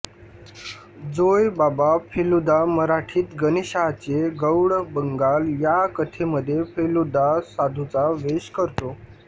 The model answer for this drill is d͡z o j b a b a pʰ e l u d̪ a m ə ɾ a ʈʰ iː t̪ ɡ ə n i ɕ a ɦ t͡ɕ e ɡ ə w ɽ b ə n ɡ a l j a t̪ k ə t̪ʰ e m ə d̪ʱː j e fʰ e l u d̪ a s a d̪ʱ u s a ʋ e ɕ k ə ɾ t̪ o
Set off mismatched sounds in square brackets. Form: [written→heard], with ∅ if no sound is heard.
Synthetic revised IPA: d͡z o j b a b a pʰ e l u d̪ a m ə ɾ a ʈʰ iː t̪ ɡ ə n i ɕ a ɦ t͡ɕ e ɡ ə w ɽ b ə [n→ŋ] ɡ a l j a [t̪→∅] k ə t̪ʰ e m ə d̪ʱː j e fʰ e l u d̪ a s a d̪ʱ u [s→t͡s] a ʋ e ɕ k ə ɾ t̪ o